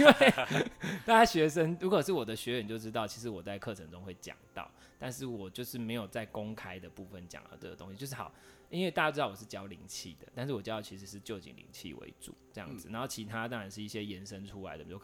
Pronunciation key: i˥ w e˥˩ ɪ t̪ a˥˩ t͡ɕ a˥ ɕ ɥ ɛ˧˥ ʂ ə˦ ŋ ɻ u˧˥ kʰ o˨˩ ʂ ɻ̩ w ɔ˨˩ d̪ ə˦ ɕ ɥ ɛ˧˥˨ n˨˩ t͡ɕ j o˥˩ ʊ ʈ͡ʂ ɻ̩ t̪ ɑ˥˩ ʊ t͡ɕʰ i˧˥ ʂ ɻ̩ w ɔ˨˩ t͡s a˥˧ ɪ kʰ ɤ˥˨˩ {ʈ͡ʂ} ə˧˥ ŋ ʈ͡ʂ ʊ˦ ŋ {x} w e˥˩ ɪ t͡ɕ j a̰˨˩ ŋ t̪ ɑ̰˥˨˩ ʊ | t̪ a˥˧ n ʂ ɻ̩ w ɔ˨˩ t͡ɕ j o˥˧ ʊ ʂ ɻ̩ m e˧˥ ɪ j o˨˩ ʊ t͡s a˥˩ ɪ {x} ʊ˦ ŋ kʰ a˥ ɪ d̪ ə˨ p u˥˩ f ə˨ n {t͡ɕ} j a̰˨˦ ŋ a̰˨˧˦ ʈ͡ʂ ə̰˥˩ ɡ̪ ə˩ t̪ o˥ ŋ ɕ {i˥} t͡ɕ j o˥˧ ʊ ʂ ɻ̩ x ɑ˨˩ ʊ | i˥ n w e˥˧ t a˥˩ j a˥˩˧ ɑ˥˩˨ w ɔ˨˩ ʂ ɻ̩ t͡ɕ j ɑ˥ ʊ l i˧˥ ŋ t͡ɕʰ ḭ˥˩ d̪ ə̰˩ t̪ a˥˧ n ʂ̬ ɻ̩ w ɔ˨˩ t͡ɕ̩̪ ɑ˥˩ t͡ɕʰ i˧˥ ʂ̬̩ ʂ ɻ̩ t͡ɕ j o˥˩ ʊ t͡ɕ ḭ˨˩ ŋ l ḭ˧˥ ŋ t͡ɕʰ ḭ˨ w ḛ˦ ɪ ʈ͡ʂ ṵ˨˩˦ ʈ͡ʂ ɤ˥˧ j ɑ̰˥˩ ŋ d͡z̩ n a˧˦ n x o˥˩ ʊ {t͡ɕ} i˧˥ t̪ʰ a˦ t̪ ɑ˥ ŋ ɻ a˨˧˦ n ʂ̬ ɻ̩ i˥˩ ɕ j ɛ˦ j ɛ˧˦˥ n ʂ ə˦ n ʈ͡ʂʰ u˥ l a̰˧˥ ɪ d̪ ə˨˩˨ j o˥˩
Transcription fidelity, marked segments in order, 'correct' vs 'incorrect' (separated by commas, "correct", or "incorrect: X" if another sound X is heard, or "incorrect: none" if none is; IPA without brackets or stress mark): incorrect: ʈ͡ʂʰ, correct, incorrect: k, correct, incorrect: i˨, incorrect: t͡ɕʰ